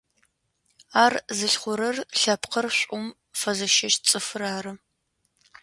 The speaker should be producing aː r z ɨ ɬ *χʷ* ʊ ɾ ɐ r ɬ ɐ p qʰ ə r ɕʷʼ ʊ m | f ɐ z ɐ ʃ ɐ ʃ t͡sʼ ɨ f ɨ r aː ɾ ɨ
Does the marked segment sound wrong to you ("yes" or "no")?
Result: no